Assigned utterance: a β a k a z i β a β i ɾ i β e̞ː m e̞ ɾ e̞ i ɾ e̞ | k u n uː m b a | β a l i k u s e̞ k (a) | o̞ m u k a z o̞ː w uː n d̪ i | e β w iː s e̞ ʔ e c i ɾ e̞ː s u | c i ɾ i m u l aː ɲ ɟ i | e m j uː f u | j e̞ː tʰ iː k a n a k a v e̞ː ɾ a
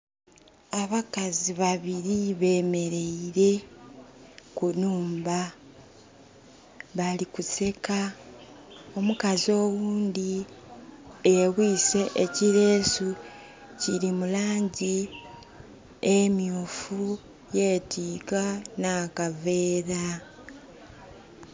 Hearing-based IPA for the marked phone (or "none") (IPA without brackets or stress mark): a